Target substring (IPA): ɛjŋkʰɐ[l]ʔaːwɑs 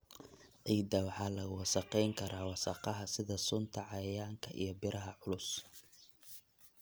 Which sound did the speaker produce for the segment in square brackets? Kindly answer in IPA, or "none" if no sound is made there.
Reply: ɾ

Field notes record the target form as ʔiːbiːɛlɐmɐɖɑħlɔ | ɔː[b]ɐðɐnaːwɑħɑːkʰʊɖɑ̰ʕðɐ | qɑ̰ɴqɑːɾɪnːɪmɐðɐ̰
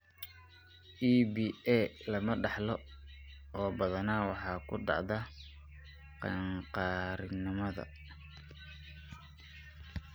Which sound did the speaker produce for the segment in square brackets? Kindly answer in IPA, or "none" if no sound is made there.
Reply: b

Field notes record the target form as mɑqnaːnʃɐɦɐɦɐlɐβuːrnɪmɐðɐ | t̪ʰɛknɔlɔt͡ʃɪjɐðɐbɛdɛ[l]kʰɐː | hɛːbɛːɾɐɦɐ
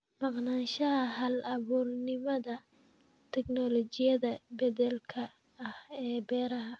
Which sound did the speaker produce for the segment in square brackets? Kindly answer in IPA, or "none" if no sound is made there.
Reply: l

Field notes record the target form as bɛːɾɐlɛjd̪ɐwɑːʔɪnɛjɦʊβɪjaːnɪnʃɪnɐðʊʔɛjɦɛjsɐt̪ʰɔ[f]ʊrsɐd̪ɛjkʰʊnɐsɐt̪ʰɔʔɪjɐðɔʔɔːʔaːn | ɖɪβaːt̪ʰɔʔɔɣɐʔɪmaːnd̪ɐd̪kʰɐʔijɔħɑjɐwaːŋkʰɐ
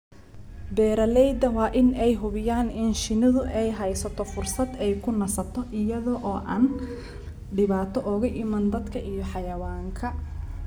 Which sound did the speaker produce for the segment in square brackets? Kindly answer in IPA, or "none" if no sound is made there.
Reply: f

